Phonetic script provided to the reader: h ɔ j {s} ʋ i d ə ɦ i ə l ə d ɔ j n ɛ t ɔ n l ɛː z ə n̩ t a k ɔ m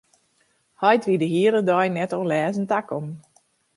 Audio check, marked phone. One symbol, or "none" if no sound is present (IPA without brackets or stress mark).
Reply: t